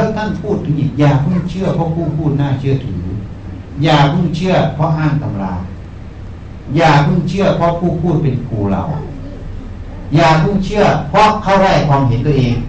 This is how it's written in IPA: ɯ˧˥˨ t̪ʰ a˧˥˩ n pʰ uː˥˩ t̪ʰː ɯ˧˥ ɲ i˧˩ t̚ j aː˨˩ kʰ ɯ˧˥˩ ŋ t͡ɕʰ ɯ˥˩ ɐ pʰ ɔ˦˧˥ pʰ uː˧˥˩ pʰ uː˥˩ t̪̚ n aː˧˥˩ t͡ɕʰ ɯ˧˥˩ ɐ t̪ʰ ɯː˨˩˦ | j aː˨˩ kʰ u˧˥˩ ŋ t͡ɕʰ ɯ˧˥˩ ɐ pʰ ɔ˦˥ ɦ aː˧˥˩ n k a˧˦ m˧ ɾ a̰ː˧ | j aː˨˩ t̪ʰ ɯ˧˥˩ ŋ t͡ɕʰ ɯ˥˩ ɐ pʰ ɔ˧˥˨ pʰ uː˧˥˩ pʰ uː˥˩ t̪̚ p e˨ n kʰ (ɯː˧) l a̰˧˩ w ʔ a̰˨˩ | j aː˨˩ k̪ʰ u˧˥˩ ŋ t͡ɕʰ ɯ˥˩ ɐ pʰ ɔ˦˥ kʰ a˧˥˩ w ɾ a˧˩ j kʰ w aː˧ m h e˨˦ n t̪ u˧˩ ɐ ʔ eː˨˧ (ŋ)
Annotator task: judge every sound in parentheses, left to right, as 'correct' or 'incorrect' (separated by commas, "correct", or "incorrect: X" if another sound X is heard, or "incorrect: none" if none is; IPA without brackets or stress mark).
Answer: incorrect: uː˧, correct